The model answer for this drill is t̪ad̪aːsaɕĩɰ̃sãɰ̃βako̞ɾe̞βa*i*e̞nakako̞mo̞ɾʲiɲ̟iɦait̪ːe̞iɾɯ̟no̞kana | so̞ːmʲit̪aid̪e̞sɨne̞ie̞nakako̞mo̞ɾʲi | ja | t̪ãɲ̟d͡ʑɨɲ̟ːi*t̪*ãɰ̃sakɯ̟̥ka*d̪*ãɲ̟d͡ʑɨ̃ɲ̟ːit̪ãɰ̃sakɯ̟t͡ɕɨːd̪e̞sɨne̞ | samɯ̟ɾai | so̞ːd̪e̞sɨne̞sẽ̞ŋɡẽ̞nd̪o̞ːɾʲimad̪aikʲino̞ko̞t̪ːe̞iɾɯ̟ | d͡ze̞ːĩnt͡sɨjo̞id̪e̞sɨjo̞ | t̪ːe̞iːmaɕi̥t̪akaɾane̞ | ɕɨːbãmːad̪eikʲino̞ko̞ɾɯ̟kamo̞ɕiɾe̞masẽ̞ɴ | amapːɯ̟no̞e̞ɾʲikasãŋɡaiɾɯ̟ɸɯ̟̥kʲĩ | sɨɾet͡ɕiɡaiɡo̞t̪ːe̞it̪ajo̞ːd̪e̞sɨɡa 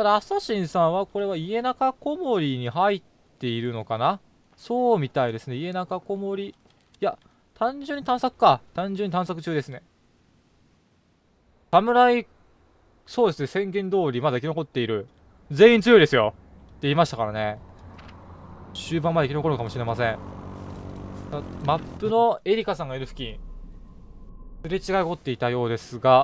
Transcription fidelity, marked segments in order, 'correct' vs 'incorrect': correct, correct, incorrect

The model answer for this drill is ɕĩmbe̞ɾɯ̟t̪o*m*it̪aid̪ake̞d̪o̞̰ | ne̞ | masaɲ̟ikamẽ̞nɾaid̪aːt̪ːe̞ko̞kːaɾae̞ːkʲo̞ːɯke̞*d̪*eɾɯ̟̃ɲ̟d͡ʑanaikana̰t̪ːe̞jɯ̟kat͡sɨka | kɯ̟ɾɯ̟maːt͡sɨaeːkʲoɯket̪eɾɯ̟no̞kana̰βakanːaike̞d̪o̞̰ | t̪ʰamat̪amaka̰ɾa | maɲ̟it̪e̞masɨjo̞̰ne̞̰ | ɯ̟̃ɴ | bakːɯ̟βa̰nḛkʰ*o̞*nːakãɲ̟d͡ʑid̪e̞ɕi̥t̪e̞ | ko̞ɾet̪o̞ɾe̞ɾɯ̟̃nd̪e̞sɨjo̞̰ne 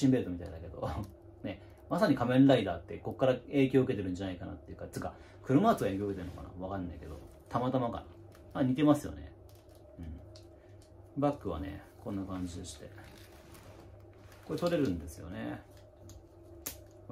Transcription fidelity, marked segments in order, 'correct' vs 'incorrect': correct, incorrect, incorrect

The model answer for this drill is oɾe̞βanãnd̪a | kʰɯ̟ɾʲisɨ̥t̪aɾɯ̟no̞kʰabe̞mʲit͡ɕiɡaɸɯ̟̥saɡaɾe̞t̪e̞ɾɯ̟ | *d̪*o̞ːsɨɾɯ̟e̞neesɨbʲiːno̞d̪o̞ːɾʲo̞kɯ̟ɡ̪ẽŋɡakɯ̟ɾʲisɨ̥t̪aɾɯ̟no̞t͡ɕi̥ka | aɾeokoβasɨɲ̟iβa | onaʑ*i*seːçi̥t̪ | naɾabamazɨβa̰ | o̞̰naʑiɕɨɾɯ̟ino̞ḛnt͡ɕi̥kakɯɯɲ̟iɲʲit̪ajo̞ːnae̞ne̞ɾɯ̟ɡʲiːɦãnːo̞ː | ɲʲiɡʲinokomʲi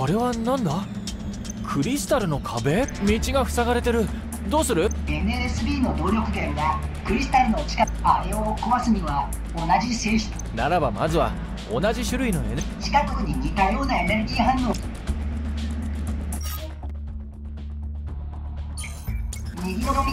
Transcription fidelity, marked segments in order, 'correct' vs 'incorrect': correct, correct

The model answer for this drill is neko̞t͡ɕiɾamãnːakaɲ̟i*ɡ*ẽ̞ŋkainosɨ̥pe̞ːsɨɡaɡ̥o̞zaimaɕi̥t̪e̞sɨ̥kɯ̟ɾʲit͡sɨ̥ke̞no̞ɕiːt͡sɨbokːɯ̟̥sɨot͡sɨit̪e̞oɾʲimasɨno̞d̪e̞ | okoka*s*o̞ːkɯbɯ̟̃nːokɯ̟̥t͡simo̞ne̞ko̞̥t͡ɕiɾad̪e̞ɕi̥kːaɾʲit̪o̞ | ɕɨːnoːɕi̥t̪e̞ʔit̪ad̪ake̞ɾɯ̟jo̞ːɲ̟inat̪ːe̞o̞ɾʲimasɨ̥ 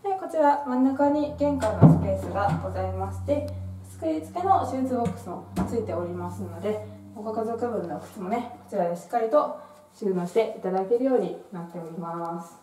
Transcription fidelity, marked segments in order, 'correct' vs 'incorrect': correct, incorrect

